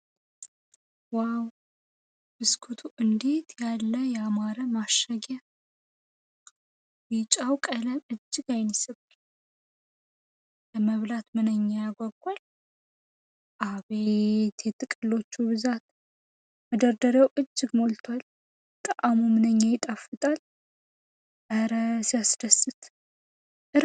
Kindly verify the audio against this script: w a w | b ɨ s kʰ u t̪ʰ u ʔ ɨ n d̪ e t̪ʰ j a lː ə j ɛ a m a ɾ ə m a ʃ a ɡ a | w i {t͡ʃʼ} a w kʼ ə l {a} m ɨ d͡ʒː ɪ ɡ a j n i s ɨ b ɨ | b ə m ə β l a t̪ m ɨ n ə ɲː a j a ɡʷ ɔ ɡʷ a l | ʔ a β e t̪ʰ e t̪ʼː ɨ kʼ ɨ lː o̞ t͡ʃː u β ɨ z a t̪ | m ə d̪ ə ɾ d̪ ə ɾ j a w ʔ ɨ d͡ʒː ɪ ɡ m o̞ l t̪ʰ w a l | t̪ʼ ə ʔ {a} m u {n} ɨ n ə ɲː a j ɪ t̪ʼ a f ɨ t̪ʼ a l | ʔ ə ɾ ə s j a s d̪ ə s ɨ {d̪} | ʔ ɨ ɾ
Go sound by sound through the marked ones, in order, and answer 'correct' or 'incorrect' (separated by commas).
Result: correct, incorrect, correct, incorrect, incorrect